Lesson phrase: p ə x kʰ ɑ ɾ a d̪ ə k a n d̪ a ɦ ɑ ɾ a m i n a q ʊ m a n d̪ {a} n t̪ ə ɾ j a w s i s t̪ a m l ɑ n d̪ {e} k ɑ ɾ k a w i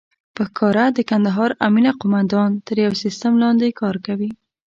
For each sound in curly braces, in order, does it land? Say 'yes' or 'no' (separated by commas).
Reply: no, yes